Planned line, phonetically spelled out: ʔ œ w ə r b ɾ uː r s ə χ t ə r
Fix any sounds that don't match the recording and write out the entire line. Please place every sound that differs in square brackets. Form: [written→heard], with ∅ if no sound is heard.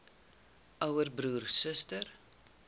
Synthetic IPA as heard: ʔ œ w ə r b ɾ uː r s ə [χ→s] t ə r